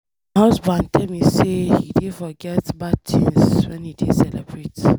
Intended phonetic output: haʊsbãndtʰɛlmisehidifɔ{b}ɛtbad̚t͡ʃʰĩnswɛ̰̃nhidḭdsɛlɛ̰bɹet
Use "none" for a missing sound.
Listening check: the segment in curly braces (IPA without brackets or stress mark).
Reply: ɡ